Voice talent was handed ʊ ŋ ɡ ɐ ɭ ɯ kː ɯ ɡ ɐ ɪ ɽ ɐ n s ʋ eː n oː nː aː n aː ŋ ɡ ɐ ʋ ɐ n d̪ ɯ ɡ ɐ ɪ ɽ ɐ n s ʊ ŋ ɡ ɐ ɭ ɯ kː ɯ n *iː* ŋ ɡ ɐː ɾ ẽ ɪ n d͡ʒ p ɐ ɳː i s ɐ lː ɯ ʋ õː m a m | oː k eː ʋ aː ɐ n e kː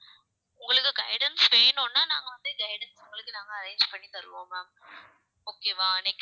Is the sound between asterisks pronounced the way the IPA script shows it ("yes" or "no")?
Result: no